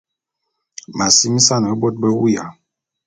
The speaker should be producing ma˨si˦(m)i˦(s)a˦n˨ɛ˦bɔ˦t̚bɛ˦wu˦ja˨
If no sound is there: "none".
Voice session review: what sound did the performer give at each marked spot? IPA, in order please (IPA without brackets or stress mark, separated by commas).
m, s